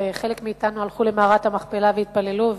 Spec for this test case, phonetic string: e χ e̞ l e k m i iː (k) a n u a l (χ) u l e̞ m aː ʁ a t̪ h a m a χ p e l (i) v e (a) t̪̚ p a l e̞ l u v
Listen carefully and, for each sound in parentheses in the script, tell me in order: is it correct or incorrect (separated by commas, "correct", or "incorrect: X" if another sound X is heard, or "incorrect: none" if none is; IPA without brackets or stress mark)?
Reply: incorrect: t, correct, incorrect: a, incorrect: i